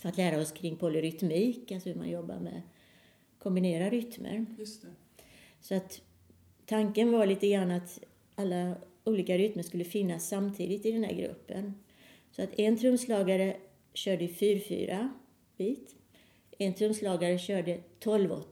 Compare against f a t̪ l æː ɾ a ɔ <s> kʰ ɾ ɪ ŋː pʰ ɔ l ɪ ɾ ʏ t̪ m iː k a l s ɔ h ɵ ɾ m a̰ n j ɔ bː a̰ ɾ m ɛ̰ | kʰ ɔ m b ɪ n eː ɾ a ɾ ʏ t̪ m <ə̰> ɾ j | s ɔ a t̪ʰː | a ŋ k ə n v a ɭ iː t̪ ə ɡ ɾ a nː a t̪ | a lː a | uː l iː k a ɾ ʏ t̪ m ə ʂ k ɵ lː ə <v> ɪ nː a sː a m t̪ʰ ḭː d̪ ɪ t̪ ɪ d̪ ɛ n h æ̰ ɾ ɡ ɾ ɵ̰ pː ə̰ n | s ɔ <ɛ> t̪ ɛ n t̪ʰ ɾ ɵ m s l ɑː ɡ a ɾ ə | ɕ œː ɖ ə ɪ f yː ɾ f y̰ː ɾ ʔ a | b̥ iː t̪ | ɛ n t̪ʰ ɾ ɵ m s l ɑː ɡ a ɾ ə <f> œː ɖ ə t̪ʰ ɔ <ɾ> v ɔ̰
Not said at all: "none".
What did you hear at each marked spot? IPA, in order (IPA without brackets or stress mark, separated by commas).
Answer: s, ə̰, f, a, ɕ, l